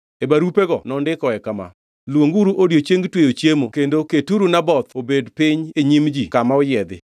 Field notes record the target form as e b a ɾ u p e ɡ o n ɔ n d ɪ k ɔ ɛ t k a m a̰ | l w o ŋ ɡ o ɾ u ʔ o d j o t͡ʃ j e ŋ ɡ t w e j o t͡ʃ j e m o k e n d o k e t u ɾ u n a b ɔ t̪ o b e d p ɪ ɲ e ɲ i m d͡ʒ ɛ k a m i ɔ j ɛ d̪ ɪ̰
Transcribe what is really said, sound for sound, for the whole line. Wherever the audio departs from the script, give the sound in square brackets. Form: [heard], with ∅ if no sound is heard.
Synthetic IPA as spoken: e b a ɾ u p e ɡ [ɔ] n ɔ n d ɪ k ɔ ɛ [∅] k a m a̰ | l w o ŋ ɡ [u] ɾ u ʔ o d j o t͡ʃ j e ŋ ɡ t w e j o t͡ʃ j e m o k e n d o k e t u ɾ u n a b ɔ t̪ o b e d p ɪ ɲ e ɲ i m d͡ʒ [i] k a m [a] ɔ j ɛ d̪ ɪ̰